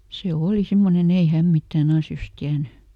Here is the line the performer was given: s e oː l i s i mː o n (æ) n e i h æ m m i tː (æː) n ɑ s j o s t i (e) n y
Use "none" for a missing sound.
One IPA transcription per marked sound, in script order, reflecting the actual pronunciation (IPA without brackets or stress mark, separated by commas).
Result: e, æː, æ